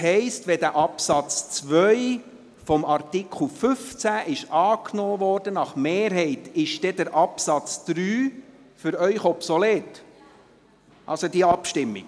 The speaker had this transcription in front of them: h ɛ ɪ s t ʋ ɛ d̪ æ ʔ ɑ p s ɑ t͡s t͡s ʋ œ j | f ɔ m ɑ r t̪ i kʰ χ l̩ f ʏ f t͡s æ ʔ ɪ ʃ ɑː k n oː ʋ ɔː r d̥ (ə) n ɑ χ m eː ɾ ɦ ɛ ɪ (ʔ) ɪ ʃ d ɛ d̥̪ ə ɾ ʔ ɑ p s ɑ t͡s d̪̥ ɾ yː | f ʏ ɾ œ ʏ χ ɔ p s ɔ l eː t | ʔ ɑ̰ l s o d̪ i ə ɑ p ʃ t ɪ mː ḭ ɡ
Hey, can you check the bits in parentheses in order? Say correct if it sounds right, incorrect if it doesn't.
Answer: correct, incorrect: t

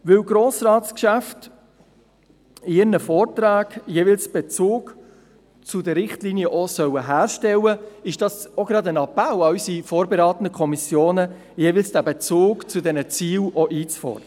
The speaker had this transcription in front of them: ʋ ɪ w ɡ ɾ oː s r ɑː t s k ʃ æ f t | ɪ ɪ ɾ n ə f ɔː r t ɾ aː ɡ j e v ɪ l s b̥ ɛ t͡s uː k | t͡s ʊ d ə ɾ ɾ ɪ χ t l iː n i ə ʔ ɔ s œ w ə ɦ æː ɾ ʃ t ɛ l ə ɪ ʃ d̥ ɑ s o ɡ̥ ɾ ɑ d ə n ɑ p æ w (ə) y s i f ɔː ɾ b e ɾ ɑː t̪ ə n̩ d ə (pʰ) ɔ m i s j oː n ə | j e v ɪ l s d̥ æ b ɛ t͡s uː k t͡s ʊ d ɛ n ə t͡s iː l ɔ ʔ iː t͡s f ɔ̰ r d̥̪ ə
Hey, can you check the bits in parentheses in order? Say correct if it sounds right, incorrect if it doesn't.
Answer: incorrect: ɑ, incorrect: kʰ

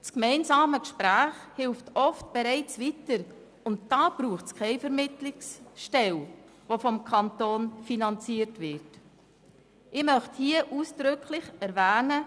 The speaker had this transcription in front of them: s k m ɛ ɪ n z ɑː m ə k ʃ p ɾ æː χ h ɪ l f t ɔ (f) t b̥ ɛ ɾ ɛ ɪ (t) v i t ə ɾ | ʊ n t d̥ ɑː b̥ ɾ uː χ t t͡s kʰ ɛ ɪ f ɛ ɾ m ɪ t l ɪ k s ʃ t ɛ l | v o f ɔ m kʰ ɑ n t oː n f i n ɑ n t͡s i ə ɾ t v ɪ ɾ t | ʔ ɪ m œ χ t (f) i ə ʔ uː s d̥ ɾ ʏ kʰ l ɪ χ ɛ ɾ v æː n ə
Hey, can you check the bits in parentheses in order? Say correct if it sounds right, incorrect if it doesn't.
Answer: correct, incorrect: t͡s, incorrect: h

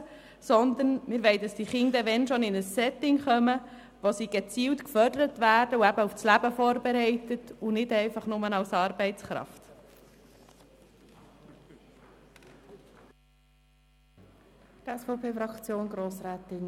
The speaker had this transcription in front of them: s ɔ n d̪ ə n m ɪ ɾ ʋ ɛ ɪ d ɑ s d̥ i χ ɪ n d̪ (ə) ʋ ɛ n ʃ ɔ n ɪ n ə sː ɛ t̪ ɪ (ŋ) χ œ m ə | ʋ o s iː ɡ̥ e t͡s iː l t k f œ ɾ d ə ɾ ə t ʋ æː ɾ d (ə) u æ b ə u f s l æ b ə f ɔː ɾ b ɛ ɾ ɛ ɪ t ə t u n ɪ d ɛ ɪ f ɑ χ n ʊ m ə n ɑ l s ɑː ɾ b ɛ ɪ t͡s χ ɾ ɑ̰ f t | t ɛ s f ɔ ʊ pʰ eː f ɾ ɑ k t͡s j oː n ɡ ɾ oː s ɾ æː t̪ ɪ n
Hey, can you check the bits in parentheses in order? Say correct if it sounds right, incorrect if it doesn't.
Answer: correct, correct, correct

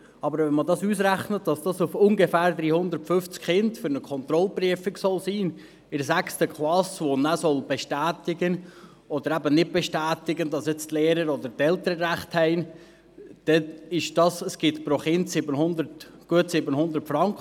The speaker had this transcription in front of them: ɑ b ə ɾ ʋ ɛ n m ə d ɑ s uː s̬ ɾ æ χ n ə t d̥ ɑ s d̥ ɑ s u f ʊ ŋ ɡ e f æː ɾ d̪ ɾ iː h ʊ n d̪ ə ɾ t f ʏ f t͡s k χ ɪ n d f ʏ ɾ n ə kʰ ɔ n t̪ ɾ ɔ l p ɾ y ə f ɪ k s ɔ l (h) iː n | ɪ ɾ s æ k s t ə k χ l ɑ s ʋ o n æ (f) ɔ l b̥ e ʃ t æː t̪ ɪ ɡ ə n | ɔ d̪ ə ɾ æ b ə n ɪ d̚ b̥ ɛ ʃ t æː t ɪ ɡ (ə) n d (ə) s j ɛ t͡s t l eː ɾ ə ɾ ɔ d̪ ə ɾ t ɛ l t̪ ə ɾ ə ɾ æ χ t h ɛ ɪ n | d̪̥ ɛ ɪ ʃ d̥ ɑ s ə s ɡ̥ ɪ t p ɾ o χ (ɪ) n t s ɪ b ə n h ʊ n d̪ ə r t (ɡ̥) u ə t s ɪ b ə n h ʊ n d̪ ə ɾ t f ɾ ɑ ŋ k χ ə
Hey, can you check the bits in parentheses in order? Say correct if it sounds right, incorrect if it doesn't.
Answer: incorrect: s, incorrect: s, correct, incorrect: ɑ, correct, correct

